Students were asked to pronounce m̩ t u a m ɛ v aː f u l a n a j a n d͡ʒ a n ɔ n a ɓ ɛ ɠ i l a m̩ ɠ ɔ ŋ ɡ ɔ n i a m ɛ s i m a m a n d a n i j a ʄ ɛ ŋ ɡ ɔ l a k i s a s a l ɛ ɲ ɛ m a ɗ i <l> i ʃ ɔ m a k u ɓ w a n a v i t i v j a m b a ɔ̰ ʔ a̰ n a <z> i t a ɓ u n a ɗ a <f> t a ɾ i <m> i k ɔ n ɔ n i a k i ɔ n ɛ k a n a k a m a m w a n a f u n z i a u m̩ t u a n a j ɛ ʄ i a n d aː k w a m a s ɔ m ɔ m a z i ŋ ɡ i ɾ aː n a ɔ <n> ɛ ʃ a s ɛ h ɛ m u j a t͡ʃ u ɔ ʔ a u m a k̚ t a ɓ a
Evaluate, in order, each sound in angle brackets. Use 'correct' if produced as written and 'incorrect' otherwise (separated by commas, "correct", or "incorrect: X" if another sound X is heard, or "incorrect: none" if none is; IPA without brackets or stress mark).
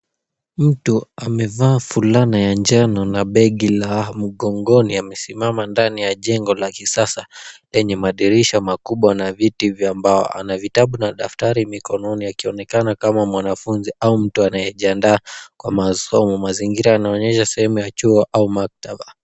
incorrect: ɾ, incorrect: v, correct, correct, incorrect: ɲ